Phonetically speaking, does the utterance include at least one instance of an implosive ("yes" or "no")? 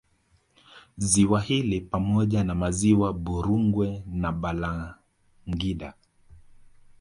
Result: yes